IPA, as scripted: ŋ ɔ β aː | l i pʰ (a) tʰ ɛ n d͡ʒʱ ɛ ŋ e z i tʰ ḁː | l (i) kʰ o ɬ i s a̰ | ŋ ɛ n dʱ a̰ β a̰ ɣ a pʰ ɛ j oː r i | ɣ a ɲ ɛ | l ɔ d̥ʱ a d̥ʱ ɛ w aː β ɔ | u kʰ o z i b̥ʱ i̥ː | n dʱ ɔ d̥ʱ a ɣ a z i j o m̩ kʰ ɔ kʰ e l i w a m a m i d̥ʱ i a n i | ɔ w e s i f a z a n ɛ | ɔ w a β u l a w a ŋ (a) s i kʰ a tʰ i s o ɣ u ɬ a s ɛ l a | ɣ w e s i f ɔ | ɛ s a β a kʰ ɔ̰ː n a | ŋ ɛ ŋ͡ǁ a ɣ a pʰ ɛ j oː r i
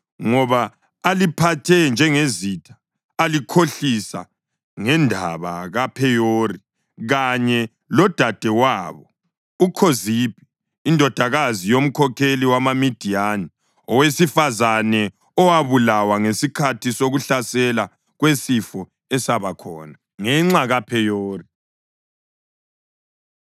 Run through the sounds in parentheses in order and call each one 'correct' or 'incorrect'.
correct, correct, incorrect

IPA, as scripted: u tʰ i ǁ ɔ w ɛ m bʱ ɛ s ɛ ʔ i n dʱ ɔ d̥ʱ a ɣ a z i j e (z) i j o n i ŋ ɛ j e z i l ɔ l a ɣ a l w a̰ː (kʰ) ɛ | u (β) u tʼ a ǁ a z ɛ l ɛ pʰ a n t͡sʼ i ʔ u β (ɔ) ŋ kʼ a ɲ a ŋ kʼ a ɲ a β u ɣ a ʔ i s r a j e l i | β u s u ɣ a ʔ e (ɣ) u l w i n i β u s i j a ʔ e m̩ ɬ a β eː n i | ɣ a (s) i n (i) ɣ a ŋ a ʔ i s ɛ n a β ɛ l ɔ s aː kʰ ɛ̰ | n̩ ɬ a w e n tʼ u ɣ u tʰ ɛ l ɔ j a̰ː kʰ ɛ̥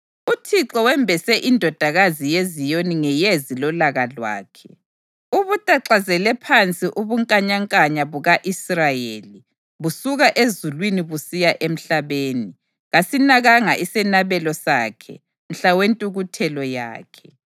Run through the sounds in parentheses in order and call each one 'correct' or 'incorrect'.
correct, correct, correct, incorrect, incorrect, correct, incorrect

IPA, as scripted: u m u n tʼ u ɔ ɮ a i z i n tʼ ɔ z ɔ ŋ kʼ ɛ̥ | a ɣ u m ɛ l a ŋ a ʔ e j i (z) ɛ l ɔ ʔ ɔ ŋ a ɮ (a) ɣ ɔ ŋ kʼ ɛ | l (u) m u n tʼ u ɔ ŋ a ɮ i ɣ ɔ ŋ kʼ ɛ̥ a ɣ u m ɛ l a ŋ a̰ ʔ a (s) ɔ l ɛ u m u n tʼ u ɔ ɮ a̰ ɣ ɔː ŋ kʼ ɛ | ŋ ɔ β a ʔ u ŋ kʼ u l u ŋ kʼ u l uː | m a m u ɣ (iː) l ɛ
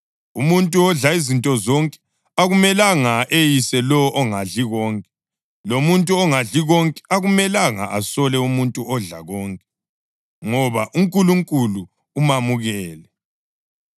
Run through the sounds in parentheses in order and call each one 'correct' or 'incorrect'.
incorrect, incorrect, incorrect, correct, incorrect

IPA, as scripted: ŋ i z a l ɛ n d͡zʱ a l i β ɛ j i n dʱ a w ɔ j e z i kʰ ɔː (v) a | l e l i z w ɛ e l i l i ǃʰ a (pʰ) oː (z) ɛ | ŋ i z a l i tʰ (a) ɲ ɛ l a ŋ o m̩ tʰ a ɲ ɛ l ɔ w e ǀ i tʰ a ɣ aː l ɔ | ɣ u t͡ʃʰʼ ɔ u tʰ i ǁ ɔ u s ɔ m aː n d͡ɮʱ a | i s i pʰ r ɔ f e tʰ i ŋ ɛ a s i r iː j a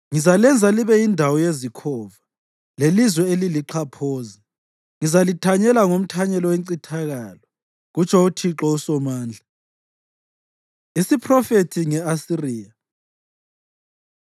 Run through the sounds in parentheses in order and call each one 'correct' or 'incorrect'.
correct, correct, correct, correct

